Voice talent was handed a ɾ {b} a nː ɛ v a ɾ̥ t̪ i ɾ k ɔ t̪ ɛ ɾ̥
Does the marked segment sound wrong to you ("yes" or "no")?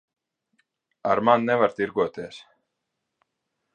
yes